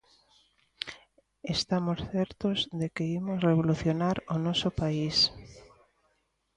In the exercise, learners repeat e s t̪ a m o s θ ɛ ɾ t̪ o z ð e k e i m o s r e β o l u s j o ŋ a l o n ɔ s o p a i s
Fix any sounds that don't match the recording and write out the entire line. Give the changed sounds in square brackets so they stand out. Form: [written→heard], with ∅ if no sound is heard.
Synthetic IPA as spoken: e s t̪ a m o s θ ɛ ɾ t̪ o z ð e k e i m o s r e β o l u [s→θ] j o [ŋ→n] a [l→ɾ] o n ɔ s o p a i s